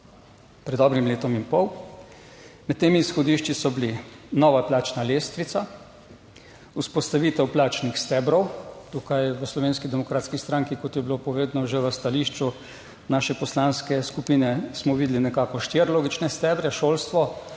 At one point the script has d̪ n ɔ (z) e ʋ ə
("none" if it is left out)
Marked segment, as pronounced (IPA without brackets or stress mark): ʒ